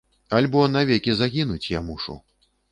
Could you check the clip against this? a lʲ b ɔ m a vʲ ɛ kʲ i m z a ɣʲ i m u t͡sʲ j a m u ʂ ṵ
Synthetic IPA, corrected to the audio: a lʲ b ɔ n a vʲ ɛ kʲ i z a ɣʲ i n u t͡sʲ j a m u ʂ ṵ